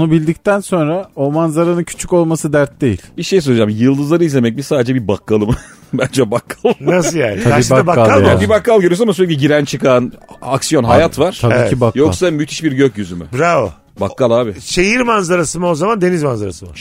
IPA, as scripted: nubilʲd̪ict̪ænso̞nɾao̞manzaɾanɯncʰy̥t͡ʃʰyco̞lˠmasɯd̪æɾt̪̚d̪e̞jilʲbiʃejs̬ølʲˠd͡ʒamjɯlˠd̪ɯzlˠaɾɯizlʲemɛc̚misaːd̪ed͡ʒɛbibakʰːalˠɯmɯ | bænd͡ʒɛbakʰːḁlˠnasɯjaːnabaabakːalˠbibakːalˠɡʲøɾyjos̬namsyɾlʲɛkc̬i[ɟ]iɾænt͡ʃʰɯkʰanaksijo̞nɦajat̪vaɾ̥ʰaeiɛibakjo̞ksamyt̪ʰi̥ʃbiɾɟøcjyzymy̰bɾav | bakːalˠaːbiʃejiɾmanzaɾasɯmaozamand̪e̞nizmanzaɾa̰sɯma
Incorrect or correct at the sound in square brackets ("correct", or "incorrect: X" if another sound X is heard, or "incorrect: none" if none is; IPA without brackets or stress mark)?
correct